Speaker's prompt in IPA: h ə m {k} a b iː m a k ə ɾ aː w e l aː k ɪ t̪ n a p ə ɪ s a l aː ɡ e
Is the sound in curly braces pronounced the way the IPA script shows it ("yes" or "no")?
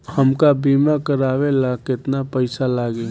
yes